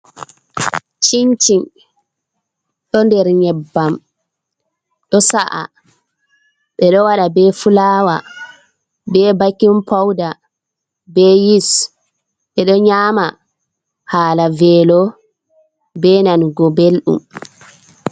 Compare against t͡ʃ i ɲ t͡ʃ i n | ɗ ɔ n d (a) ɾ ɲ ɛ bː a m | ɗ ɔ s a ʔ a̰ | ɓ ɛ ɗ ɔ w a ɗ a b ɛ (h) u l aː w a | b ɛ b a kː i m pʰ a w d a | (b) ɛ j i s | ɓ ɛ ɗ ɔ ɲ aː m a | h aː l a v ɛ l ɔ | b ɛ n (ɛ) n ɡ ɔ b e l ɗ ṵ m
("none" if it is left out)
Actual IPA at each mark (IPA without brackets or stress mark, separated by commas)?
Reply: ɛ, f, b, a